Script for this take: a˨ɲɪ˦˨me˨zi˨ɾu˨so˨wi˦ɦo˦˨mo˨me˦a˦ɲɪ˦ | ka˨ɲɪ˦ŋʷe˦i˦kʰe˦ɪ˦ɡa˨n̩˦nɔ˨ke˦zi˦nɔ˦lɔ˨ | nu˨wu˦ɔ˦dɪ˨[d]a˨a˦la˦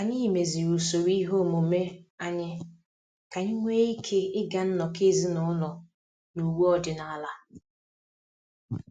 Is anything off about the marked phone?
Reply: yes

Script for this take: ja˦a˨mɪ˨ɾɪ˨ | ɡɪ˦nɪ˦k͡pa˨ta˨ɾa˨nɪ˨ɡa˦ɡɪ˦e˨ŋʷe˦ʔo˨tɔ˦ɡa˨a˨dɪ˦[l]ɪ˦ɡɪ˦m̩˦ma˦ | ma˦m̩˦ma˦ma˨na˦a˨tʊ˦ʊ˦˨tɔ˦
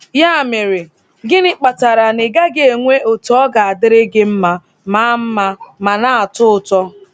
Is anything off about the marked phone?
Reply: yes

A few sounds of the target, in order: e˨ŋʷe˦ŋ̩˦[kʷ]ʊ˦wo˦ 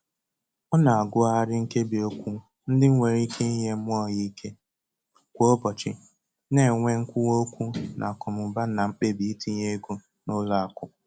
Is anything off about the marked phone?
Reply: no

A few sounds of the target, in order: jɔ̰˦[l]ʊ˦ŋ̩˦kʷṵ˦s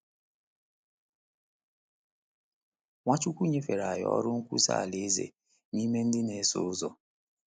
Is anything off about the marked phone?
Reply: yes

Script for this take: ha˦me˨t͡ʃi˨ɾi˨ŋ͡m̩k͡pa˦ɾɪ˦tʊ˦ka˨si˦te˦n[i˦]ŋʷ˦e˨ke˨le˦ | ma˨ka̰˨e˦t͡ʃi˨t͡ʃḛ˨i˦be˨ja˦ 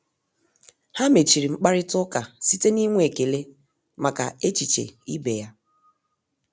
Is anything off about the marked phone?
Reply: no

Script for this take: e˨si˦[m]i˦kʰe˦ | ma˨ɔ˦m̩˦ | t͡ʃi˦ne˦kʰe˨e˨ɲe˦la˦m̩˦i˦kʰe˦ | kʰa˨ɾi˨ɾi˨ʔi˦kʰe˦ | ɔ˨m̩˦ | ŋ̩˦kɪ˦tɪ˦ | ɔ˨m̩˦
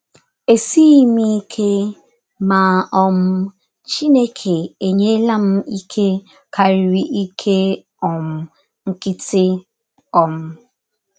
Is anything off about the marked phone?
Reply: no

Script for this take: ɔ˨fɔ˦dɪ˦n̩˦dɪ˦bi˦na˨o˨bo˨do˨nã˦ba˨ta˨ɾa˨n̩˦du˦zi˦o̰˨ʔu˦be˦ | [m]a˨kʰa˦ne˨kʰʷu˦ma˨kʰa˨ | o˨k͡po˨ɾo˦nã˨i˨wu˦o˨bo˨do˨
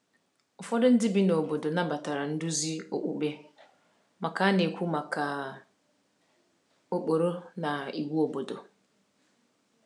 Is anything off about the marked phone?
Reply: no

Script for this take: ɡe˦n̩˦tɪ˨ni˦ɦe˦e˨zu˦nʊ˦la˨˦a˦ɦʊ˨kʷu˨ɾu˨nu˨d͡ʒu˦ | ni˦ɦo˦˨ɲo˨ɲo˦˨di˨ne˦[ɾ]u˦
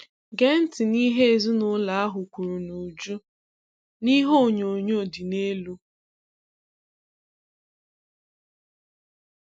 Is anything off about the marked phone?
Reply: yes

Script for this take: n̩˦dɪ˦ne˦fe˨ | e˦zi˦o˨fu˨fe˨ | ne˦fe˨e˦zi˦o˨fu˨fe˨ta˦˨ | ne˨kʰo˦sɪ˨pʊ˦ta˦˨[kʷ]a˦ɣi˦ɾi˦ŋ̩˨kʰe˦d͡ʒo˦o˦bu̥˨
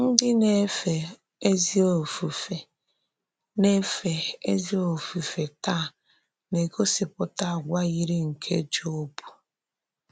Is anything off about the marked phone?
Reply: yes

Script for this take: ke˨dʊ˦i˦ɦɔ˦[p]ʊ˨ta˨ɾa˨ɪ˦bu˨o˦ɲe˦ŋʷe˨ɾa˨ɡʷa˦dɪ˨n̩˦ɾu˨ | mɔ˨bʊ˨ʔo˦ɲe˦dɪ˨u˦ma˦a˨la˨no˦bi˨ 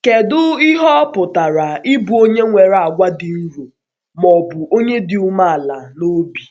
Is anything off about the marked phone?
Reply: no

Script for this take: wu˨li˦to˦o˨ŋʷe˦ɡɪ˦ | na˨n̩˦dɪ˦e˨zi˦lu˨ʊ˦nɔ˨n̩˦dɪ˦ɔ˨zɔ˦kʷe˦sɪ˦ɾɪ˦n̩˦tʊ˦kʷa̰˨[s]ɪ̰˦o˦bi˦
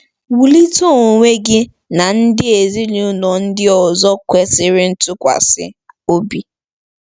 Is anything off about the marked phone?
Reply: no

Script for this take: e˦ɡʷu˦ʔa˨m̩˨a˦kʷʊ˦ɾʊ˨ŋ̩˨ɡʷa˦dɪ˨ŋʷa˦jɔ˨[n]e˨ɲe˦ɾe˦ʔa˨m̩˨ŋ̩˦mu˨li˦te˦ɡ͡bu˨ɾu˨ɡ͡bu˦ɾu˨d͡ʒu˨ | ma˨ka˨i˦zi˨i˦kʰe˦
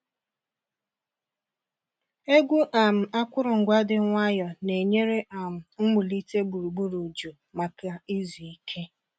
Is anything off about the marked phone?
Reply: no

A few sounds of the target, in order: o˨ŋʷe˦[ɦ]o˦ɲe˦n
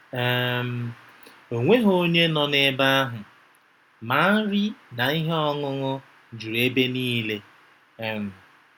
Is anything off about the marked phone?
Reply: no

